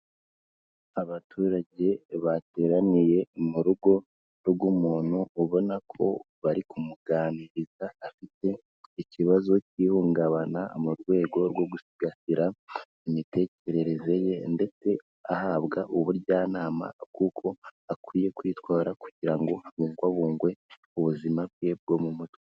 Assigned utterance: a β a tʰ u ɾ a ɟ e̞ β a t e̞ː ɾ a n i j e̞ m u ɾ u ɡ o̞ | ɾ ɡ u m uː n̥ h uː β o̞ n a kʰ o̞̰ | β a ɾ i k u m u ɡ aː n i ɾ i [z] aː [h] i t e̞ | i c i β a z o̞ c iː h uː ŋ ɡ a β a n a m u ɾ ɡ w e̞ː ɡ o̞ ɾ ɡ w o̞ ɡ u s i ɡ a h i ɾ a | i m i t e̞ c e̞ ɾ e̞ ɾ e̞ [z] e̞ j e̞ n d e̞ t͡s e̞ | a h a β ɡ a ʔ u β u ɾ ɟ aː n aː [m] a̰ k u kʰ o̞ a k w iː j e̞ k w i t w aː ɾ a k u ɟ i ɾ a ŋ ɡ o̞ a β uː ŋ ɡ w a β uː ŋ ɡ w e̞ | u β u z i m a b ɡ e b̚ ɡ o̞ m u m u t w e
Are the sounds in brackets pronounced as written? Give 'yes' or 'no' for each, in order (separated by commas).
yes, no, yes, yes